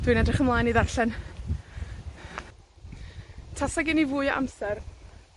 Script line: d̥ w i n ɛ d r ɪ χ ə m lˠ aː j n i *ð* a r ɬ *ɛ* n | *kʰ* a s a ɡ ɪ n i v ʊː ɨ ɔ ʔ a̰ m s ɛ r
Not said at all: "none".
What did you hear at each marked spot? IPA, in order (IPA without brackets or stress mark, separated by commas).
ð, ɛ, tʰ